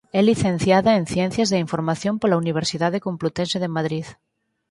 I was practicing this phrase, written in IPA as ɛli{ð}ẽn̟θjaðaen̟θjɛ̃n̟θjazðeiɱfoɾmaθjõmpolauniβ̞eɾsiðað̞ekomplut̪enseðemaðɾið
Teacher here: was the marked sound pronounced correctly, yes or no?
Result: no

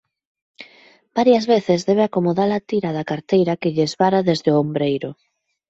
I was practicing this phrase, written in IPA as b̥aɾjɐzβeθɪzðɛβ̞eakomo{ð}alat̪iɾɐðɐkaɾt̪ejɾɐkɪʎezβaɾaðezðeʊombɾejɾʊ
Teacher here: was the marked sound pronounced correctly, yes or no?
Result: yes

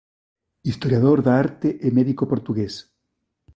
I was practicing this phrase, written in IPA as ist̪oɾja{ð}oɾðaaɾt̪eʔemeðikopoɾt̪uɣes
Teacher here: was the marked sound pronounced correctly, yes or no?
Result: yes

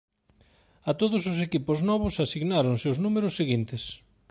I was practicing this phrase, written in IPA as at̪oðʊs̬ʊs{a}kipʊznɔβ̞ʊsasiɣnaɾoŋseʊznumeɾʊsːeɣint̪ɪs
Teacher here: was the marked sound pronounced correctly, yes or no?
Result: no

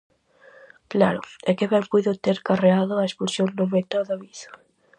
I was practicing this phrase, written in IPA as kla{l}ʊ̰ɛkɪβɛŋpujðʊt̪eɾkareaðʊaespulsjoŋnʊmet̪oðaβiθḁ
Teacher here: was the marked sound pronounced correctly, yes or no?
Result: no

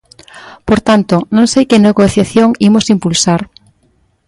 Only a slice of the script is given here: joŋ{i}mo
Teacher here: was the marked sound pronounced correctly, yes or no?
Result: yes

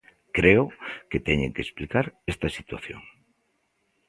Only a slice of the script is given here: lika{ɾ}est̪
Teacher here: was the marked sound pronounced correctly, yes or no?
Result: yes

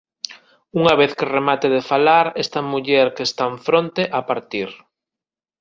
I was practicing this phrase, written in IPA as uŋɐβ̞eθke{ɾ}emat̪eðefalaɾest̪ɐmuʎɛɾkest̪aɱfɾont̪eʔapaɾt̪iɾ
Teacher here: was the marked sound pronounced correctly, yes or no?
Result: no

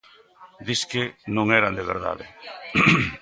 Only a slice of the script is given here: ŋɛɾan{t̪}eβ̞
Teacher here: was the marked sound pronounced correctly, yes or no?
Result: no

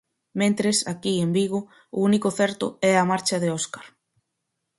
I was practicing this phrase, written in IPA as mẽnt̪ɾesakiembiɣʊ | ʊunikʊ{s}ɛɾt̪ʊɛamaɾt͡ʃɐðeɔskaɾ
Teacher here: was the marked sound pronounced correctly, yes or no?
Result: no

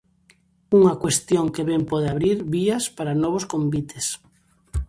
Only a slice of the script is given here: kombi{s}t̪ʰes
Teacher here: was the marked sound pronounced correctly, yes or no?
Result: no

